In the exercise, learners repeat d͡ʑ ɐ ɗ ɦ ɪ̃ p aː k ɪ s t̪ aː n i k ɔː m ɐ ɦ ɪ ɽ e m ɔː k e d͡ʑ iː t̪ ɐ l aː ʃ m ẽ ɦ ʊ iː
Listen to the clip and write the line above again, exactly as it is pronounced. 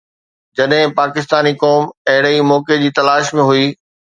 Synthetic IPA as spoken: d͡ʑ ɐ ɗ ɦ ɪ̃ p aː k ɪ s t̪ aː n i k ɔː m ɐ ɦ ɪ ɽ i m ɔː k e d͡ʑ iː t̪ ɐ l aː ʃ m ẽ ɦ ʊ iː